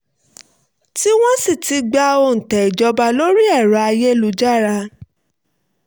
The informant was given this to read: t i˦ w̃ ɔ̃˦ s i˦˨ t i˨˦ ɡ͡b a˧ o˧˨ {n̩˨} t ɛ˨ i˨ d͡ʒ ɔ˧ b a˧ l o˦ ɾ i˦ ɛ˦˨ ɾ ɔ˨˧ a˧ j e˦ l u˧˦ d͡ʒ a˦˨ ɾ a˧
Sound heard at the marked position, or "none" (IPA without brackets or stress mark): n̩˨